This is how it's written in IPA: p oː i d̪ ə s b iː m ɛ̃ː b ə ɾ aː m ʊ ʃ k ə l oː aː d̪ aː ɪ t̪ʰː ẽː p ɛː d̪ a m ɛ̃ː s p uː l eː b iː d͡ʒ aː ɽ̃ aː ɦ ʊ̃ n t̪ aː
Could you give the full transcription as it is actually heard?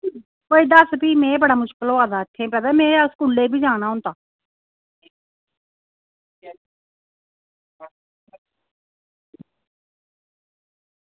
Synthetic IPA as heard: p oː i d̪ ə s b iː m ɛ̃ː b ə ɽ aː m ʊ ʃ k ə l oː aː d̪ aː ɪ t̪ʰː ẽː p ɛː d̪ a m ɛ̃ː s k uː l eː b iː d͡ʒ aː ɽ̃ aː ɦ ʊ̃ n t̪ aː